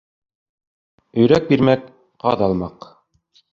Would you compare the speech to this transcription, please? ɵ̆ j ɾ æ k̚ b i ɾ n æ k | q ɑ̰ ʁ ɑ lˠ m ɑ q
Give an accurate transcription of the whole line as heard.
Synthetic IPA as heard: ɵ̆ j ɾ æ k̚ b i ɾ m æ k | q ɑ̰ ð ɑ lˠ m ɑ q